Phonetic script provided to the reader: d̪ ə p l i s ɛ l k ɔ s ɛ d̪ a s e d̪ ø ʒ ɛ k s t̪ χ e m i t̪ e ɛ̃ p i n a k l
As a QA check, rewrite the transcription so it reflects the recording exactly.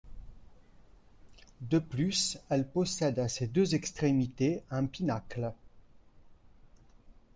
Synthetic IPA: d̪ ə p l y s ɛ l p ɔ s ɛ d̪ a s e d̪ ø z ɛ k s t̪ χ e m i t̪ e ɛ̃ p i n a k l